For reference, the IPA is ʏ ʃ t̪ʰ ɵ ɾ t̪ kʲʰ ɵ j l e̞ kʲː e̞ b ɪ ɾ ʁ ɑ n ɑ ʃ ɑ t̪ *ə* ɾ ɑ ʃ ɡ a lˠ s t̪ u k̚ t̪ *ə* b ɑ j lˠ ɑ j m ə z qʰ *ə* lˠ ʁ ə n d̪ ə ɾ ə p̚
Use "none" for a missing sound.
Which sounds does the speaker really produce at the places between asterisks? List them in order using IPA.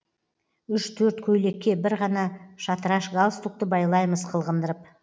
ə, ə, ə

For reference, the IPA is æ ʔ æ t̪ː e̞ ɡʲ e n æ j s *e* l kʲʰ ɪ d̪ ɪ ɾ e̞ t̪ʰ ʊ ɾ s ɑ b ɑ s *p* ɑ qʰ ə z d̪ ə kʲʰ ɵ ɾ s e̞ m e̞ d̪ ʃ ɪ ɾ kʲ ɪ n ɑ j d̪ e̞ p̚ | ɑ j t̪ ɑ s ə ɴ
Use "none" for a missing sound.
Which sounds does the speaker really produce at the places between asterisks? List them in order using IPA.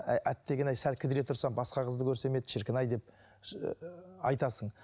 æ, q

